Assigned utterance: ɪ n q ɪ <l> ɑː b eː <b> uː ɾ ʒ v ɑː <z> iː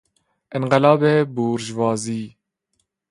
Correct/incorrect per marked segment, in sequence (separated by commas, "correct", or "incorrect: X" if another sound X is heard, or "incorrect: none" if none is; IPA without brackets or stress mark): correct, correct, correct